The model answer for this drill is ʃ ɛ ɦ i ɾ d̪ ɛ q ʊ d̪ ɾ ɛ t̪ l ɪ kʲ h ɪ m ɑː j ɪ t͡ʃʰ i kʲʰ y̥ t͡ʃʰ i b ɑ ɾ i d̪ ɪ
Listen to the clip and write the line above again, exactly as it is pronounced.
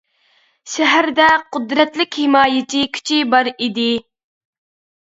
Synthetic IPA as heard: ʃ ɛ ɦ æ ɾ d̪ ɛ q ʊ d̪ ɾ ɛ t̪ l ɪ kʲ h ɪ m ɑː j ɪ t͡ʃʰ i kʲʰ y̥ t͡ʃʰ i b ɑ ɾ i d̪ ɪ